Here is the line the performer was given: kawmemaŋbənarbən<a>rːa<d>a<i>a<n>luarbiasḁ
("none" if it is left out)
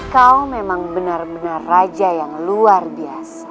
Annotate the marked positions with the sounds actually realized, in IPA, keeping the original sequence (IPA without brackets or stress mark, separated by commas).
a, d͡ʒ, j, ŋ